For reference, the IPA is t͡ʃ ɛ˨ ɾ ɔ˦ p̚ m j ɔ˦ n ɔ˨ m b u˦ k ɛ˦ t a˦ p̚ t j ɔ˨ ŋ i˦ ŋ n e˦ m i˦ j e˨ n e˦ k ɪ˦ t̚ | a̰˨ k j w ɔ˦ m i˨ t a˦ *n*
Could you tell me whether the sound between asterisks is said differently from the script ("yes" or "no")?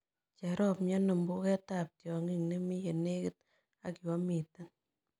no